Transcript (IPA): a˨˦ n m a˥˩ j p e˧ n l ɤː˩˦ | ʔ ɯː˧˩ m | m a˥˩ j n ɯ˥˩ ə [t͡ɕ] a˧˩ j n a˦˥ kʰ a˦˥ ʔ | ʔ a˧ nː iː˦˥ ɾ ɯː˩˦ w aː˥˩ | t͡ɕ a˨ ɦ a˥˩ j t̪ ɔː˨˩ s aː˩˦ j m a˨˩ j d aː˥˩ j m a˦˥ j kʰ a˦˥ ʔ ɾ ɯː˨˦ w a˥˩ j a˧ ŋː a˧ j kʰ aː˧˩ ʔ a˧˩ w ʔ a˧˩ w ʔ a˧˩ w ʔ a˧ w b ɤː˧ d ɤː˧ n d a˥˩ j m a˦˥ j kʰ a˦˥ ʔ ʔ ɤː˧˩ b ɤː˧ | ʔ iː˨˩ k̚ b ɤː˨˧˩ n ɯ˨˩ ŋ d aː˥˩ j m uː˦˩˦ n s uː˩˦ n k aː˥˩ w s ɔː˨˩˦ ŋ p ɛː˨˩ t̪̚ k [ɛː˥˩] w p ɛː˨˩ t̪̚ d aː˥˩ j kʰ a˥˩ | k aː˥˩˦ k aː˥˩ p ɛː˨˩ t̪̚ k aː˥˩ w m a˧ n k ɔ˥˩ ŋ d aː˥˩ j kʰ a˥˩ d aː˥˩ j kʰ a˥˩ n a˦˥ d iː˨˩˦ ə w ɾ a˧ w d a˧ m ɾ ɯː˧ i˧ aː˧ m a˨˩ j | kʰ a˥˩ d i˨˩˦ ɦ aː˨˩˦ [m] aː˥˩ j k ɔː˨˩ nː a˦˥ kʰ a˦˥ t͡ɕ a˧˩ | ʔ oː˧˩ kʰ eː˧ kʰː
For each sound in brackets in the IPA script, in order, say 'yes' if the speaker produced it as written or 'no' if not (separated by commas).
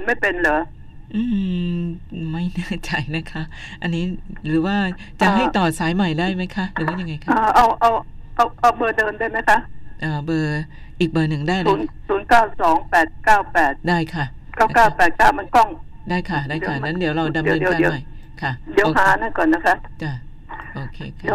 yes, no, no